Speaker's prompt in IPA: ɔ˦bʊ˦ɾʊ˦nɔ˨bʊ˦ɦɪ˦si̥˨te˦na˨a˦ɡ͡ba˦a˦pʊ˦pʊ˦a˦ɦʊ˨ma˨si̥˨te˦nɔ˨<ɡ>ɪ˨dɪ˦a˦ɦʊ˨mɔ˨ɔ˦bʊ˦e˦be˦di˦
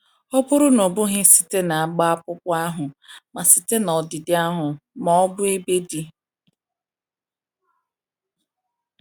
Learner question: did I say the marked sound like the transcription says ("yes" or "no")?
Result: no